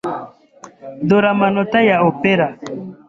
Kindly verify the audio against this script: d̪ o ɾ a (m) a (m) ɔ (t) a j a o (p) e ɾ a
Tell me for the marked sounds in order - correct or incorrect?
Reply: correct, incorrect: n, correct, correct

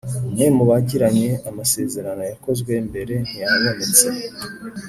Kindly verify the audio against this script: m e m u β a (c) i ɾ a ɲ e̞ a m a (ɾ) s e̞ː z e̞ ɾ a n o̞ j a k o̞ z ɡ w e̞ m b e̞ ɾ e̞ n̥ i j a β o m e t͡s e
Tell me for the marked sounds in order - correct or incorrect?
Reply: incorrect: ɟ, incorrect: none

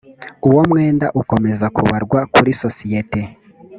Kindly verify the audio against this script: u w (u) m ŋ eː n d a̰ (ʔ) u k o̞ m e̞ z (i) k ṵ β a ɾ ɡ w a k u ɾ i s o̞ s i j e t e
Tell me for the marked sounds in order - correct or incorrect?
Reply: incorrect: o, correct, incorrect: a

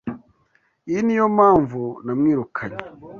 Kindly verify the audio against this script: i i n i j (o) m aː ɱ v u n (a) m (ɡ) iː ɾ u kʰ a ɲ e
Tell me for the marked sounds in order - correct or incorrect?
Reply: correct, correct, incorrect: ŋ

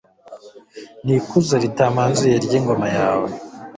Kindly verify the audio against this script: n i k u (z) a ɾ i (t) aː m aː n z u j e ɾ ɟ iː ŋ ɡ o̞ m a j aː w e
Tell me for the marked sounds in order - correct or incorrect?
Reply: correct, correct

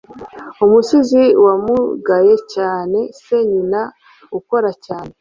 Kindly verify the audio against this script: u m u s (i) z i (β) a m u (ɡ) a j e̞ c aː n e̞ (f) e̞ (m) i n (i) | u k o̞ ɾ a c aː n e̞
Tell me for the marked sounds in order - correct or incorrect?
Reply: correct, incorrect: w, correct, incorrect: s, incorrect: ɲ, incorrect: a

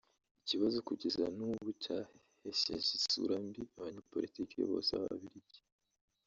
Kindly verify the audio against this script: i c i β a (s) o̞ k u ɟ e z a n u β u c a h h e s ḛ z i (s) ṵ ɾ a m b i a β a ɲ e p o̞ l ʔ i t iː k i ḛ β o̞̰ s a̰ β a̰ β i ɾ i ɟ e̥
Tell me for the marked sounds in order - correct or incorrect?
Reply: incorrect: z, correct

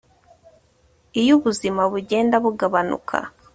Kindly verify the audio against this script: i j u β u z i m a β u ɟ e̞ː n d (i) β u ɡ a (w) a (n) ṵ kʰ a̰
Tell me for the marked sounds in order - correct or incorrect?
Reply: incorrect: a, incorrect: β, correct

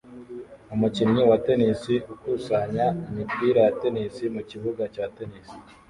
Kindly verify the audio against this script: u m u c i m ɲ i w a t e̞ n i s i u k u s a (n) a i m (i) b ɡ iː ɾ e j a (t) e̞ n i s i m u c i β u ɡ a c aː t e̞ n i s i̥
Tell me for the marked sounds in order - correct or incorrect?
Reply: incorrect: ɲ, correct, correct

